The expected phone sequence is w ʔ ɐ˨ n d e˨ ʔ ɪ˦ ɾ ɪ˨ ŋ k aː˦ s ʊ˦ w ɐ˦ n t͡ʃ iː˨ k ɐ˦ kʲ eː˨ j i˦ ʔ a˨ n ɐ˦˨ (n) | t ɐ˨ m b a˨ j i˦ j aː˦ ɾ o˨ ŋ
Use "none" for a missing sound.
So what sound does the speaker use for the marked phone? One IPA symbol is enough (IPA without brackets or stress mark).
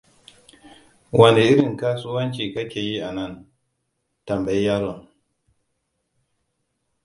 n